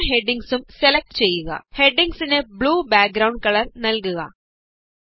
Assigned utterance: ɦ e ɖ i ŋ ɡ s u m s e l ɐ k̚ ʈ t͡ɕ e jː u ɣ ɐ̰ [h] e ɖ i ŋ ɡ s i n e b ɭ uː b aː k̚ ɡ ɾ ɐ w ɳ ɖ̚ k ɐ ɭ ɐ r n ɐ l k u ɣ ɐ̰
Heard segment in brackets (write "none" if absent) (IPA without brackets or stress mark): h